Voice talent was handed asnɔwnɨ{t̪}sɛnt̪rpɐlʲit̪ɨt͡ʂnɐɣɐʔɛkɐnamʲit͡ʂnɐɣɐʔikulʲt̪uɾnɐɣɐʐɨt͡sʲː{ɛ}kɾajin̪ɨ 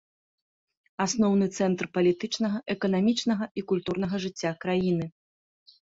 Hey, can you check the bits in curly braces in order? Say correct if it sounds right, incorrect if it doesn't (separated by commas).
correct, incorrect